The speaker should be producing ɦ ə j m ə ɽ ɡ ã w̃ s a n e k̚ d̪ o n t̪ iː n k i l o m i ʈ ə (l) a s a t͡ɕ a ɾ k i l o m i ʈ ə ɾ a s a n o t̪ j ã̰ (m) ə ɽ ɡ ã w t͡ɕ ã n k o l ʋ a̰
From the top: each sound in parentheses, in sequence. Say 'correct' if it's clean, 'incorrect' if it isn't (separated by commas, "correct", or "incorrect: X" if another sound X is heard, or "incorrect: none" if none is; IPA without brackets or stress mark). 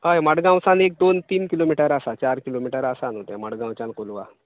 incorrect: ɾ, correct